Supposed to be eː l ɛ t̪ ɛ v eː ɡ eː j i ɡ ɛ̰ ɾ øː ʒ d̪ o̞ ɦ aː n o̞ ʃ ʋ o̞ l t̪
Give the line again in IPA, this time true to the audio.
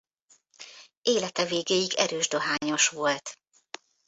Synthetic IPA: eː l ɛ t̪ ɛ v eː ɡ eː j i ɡ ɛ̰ ɾ øː ʒ d̪ o̞ ɦ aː ɲ o̞ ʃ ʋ o̞ l t̪

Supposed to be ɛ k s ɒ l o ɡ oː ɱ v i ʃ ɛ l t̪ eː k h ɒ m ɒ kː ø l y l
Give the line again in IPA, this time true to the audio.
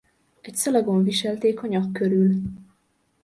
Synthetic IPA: ɛ c s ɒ l ɒ ɡ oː ɱ v i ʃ ɛ l t̪ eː k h ɒ ɲ ɒ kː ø ɾ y l

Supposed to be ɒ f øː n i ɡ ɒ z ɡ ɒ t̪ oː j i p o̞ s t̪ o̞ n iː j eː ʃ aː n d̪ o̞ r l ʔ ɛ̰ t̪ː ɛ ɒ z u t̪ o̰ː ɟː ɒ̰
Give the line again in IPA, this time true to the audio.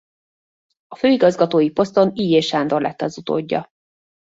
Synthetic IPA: ɒ f øː i ɡ ɒ z ɡ ɒ t̪ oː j i p o̞ s t̪ o̞ n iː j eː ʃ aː n d̪ o̞ r l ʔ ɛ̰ t̪ː ɛ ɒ z u t̪ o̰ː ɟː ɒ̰

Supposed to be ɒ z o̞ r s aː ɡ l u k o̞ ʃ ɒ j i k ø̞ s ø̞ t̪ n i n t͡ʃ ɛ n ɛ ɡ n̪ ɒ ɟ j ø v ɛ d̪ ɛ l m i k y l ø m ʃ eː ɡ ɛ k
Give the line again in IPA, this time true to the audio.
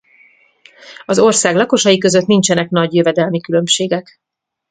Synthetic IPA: ɒ z o̞ r s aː ɡ l ɒ k o̞ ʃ ɒ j i k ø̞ z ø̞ t̪ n i n t͡ʃ ɛ n ɛ k n̪ ɒ ɟ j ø v ɛ d̪ ɛ l m i k y l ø m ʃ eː ɡ ɛ k

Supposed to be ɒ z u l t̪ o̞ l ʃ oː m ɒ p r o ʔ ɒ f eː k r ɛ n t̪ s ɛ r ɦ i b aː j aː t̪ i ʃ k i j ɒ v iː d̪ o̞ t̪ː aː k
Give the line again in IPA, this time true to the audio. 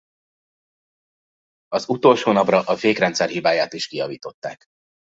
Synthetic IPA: ɒ z u t̪ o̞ l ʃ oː n ɒ p r ɒ ʔ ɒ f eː k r ɛ n t̪ s ɛ r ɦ i b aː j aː t̪ i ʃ k i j ɒ v iː t̪ o̞ t̪ː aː k

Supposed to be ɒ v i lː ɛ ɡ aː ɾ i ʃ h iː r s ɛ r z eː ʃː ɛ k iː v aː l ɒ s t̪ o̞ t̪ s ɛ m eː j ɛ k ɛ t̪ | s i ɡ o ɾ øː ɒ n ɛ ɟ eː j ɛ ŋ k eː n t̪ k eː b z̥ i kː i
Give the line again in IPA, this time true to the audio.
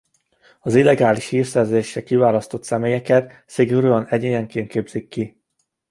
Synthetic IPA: ɒ z i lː ɛ ɡ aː l i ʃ h iː r s ɛ r z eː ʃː ɛ k i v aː l ɒ s t̪ o̞ t̪ s ɛ m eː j ɛ k ɛ t̪ | s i ɡ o ɾ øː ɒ n ɛ ɟ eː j ɛ ŋ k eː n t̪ k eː b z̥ i kː i

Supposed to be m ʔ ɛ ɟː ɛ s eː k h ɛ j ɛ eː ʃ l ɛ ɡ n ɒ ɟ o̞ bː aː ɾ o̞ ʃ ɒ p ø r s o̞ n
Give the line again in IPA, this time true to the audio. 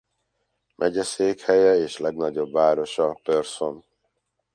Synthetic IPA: m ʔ ɛ ɟ ɛ s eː k h ɛ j ɛ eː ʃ l ɛ ɡ n ɒ ɟ o̞ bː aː ɾ o̞ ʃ ɒ p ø r s o̞ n

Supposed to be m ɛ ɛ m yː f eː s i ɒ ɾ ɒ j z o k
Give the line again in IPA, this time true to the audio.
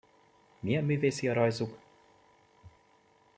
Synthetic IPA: m i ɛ m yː v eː s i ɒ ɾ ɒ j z u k

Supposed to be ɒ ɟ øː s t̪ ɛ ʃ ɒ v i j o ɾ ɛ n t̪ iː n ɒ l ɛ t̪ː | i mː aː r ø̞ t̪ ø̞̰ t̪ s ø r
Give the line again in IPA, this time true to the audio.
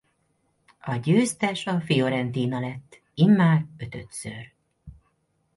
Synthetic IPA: ɒ ɟ øː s t̪ ɛ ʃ ɒ f i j o ɾ ɛ n t̪ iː n ɒ l ɛ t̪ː | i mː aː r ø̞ t̪ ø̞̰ t̪ s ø r

